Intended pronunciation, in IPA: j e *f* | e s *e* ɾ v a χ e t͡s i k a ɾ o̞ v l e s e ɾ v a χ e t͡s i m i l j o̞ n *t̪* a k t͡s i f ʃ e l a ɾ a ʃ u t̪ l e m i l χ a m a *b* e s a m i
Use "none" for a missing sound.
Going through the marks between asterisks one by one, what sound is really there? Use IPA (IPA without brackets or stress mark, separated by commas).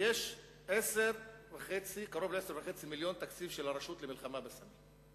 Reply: ʃ, e, t̪, b